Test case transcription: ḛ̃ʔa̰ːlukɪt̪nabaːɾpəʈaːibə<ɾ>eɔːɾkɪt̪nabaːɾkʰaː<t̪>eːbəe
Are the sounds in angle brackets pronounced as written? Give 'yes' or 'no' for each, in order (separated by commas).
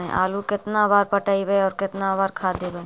no, no